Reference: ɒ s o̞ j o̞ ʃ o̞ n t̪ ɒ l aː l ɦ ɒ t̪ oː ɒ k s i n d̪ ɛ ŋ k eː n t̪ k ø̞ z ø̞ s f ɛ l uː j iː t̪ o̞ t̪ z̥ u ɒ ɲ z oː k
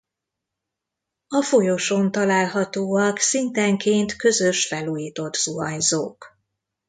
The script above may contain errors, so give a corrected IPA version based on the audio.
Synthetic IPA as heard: ɒ f o̞ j o̞ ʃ o̞ n t̪ ɒ l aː l ɦ ɒ t̪ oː ɒ k s i n t̪ ɛ ŋ k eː n t̪ k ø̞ z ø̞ ʃ f ɛ l uː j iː t̪ o̞ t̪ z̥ u ɒ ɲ z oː k